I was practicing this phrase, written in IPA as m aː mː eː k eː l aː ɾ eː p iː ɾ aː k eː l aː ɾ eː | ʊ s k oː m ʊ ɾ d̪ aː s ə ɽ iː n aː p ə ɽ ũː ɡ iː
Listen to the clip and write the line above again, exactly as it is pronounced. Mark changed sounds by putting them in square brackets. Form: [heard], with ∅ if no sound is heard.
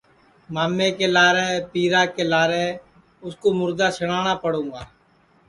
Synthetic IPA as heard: m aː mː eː k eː l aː ɾ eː p iː ɾ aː k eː l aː ɾ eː | ʊ s k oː m ʊ ɾ d̪ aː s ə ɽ [aː] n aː p ə ɽ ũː ɡ [aː]